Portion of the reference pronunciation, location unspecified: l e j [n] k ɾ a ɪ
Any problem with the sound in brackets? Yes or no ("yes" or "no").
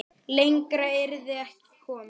yes